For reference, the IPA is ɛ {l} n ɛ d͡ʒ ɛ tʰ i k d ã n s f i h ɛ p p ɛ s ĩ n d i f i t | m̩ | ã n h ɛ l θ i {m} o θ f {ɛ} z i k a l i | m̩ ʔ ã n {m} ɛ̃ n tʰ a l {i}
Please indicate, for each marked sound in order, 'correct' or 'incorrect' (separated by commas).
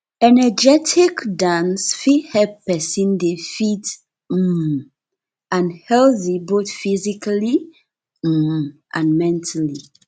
incorrect, incorrect, incorrect, correct, correct